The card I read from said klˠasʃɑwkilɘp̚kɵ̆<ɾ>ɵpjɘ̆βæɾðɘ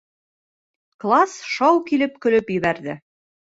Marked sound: incorrect: l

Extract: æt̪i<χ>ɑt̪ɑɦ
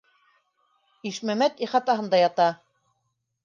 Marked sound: correct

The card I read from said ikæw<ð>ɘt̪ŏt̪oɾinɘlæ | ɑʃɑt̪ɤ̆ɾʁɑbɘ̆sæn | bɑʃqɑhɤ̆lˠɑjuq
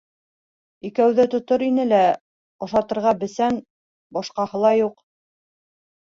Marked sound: correct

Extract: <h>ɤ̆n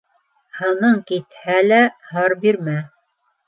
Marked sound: correct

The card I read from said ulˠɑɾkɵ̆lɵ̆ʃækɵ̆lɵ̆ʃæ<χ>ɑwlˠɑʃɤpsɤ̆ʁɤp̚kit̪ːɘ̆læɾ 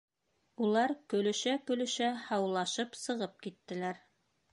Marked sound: incorrect: h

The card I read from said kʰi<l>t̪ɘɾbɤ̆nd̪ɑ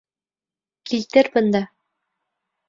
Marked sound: correct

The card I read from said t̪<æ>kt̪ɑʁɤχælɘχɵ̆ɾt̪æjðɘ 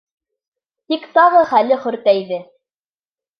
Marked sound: incorrect: i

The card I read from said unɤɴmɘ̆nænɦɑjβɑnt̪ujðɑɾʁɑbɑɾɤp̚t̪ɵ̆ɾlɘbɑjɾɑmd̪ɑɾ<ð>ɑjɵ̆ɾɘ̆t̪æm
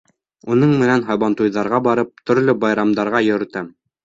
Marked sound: incorrect: ʁ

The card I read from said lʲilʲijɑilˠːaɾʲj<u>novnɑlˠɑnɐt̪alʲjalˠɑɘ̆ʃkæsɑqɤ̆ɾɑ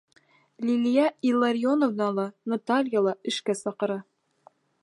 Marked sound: incorrect: o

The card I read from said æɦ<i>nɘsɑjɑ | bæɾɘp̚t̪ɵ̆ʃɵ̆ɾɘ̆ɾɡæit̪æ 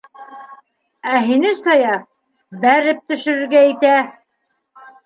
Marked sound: correct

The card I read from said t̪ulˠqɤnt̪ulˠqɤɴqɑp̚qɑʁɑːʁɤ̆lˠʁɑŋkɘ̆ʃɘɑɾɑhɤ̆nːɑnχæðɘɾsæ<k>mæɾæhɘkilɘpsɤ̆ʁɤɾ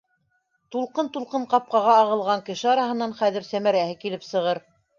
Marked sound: incorrect: none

